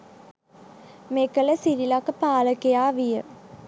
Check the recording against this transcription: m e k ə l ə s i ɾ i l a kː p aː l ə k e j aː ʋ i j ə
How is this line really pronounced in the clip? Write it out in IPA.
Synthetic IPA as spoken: m e k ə l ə s i ɾ i l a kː p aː l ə k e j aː ʋ i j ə

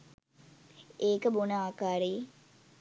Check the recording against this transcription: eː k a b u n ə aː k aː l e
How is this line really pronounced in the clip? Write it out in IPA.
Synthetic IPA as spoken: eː k ə b o n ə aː k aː ɾ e

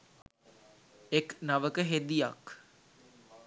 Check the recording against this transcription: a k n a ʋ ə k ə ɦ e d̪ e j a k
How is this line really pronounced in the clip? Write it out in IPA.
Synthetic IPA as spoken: e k n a ʋ ə k ə ɦ e d̪ i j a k

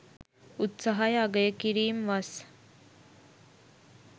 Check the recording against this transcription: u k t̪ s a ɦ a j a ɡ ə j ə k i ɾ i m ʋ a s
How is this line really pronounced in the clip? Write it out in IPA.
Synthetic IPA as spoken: u t̪ s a ɦ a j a ɡ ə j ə k i ɾ iː m ʋ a s

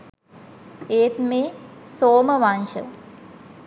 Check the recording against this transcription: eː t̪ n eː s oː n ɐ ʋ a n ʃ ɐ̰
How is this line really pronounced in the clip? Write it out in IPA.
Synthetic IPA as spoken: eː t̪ m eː s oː m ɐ ʋ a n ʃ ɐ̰

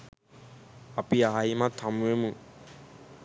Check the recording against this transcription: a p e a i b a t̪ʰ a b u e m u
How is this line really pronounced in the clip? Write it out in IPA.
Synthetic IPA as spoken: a p i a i m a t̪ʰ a m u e m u

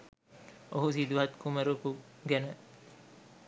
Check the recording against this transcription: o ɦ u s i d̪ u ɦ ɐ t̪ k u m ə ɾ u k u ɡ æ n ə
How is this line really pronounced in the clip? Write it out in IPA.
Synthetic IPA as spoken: o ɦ u s i d̪ u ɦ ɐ t̪ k u m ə ɾ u k u ɡ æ n ə

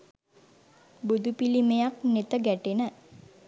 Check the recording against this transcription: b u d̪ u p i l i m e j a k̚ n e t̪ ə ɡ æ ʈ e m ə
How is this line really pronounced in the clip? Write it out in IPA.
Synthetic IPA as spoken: b u d̪ u p i l i m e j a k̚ n e t̪ ə ɡ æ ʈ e n ə

